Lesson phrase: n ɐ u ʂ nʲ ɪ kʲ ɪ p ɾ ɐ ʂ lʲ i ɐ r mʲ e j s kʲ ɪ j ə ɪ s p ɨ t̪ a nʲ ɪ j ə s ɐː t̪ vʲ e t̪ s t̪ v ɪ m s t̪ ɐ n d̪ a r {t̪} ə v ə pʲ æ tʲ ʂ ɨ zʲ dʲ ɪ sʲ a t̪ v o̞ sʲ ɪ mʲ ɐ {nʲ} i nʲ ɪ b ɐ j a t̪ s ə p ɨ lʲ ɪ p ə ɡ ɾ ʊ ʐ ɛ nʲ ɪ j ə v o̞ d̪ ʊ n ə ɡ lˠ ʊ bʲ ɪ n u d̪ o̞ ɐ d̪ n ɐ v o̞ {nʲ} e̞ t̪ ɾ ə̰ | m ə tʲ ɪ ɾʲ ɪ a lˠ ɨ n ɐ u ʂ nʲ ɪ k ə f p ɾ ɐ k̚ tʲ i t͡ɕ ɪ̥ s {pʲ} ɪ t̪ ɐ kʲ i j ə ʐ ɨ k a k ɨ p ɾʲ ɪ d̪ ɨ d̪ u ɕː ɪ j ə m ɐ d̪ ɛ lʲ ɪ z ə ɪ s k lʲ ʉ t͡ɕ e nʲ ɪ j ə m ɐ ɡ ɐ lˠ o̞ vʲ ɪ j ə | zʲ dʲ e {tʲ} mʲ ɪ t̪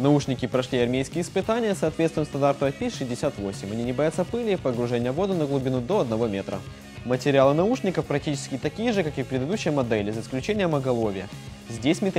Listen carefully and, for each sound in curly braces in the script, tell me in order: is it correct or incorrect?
correct, correct, incorrect: mʲ, incorrect: kʲ, incorrect: sʲ

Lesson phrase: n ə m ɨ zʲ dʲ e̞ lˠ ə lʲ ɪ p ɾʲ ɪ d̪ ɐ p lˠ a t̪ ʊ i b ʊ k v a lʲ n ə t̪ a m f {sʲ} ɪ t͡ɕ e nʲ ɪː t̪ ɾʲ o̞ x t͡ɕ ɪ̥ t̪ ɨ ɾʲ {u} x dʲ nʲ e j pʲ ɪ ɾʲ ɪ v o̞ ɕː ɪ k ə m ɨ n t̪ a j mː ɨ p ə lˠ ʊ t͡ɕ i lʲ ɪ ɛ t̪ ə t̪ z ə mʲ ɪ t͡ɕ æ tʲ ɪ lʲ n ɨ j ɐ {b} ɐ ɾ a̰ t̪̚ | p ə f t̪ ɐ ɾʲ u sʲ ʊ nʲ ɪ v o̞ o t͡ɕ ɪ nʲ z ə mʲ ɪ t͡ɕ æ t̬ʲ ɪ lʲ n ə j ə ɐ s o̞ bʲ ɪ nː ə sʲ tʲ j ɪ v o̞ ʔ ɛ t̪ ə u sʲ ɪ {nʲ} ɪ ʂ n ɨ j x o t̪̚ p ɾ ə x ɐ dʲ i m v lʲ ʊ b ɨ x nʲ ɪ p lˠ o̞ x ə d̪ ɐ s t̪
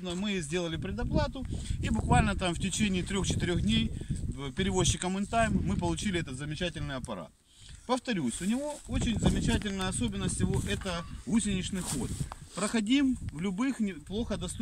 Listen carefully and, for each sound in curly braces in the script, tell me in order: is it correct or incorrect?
incorrect: tʲ, incorrect: o, incorrect: p, correct

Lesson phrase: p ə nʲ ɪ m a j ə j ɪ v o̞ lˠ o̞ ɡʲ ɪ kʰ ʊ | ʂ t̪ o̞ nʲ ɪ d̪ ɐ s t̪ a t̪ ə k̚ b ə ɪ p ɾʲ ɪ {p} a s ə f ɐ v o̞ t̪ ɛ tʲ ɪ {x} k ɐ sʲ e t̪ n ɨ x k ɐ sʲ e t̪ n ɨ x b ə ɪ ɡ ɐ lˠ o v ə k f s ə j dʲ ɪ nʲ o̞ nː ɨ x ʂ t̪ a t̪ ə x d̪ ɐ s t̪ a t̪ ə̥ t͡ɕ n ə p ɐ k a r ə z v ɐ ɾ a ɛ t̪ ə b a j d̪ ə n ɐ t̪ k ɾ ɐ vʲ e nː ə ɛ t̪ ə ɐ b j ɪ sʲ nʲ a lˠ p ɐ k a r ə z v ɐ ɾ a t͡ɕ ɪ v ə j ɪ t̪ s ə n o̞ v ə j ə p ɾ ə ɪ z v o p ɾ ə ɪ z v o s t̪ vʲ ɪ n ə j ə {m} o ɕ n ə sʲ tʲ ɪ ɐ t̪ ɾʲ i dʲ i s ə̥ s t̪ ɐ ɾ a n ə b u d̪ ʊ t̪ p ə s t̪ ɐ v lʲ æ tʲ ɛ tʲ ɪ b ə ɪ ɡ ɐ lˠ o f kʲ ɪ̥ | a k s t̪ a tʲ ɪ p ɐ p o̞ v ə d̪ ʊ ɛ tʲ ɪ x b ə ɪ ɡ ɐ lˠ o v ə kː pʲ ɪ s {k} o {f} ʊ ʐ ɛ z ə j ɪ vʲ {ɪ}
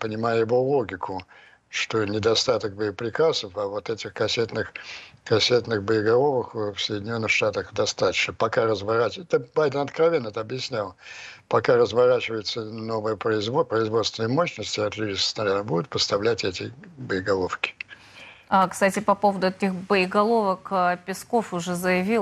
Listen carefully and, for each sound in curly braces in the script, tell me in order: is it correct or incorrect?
incorrect: k, correct, correct, correct, correct, incorrect: i

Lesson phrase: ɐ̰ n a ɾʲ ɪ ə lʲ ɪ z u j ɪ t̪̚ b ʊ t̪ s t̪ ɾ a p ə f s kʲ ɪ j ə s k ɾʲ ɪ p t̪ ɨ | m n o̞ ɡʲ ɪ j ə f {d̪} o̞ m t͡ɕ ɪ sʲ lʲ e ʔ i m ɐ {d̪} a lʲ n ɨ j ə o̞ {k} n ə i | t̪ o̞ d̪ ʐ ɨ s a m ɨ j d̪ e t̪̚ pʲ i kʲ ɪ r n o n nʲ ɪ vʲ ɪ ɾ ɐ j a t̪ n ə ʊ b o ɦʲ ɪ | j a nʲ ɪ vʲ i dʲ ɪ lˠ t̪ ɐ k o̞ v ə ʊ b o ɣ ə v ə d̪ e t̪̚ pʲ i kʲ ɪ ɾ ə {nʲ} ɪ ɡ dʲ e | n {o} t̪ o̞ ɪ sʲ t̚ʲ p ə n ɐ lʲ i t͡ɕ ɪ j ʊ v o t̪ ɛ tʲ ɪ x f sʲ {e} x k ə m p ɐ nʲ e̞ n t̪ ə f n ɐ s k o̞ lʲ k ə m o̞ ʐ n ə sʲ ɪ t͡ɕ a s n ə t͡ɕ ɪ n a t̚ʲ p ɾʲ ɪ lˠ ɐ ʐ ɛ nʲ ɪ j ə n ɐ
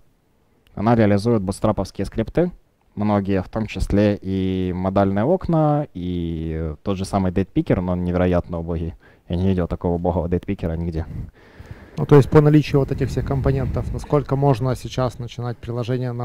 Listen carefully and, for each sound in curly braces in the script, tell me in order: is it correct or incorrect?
incorrect: t̪, correct, correct, correct, incorrect: u, correct

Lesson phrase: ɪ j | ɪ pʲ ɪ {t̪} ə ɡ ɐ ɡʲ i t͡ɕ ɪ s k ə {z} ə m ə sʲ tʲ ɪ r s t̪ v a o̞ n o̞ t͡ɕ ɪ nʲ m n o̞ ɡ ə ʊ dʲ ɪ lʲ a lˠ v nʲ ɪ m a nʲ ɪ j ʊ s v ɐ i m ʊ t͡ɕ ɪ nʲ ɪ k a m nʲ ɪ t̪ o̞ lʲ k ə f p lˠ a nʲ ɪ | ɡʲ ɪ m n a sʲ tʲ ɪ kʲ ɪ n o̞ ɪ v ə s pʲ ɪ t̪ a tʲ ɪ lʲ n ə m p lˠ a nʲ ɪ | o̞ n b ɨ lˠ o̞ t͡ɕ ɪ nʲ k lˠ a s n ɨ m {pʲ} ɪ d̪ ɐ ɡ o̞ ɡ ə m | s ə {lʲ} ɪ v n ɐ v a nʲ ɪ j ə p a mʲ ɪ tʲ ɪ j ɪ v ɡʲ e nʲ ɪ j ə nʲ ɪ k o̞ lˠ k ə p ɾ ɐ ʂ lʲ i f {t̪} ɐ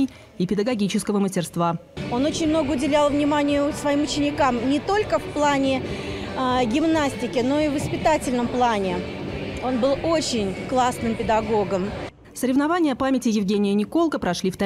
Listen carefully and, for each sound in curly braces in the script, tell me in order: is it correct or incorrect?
incorrect: d̪, incorrect: v, correct, incorrect: ɾʲ, correct

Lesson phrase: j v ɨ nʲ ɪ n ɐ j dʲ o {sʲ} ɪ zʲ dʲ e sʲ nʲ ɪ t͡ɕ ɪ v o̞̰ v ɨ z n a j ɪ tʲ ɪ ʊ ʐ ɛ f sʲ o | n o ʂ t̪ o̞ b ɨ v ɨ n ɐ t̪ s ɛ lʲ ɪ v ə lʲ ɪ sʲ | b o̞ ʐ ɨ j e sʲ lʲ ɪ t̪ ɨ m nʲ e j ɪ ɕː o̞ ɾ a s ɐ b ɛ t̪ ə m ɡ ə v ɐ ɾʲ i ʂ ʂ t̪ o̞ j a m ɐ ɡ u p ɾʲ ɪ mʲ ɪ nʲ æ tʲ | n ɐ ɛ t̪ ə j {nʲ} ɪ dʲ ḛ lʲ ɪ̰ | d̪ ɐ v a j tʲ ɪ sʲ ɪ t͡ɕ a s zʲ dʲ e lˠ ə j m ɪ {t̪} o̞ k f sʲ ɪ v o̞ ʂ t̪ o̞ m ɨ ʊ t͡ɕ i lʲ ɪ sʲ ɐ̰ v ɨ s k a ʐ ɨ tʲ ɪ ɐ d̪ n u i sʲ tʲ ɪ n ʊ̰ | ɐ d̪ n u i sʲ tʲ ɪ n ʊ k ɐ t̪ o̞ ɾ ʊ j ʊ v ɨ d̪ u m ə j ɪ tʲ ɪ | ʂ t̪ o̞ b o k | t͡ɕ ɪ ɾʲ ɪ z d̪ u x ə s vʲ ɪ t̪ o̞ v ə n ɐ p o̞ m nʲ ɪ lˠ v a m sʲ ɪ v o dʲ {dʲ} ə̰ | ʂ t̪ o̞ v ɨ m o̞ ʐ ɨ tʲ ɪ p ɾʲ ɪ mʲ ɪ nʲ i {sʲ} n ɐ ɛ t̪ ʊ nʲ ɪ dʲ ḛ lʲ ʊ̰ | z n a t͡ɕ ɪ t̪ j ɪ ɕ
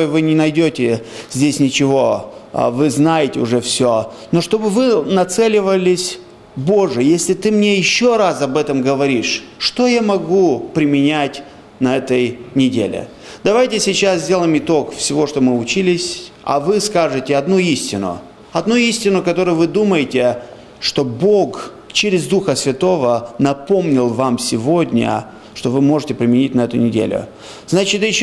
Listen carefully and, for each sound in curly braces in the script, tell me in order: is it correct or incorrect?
incorrect: tʲ, correct, correct, incorrect: nʲ, incorrect: tʲ

